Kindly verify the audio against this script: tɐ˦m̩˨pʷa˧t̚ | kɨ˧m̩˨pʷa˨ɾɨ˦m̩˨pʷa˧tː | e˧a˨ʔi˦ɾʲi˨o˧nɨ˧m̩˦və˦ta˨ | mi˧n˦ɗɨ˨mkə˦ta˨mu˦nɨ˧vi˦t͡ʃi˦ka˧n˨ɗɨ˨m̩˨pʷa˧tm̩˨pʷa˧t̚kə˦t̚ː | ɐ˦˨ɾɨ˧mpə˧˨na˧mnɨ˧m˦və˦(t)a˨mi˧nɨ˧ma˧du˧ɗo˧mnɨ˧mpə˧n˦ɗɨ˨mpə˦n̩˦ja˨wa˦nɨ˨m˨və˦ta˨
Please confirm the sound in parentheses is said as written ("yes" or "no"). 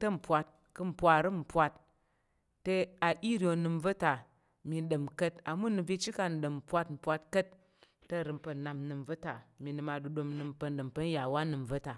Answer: yes